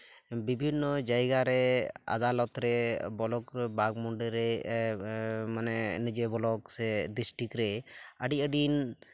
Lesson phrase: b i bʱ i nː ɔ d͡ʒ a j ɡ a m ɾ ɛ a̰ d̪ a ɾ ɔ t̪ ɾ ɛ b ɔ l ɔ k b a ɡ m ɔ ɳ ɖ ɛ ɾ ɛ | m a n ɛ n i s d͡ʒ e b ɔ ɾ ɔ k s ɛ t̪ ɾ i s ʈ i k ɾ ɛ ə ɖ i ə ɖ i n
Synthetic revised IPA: b i bʱ i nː ɔ d͡ʒ a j ɡ a ɾ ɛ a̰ d̪ a l ɔ t̪ ɾ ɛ b ɔ l ɔ k b a ɡ m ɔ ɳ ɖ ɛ ɾ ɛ | m a n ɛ n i d͡ʒ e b ɔ l ɔ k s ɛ d̪ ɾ i s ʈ i k ɾ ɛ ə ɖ i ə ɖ i n